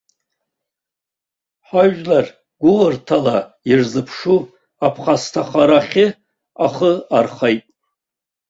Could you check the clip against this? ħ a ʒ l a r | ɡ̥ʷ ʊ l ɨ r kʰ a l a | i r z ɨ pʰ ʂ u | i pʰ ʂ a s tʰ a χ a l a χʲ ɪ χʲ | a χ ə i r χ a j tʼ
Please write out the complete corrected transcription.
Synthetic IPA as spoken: ħ a ʒ l a r | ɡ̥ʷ ʊ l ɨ r tʰ a l a | i r z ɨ pʰ ʂ u | a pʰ χ a s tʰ a χ a ɾ a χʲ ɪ | a χ ə a r χ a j tʼ